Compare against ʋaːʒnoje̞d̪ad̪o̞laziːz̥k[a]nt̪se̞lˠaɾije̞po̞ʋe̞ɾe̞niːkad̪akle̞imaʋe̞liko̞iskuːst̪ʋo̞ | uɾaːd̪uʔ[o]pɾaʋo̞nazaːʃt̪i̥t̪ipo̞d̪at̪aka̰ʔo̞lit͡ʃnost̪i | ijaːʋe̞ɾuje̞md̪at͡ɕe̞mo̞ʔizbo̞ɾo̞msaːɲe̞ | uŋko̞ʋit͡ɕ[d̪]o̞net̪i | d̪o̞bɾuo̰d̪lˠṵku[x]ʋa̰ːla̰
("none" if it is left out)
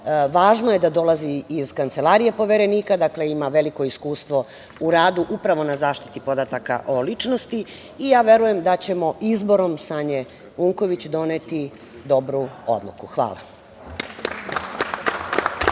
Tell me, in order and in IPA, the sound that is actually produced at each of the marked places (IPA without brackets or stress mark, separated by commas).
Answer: a, u, d̪, x